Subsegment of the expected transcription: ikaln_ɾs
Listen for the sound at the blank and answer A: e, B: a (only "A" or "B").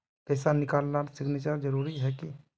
B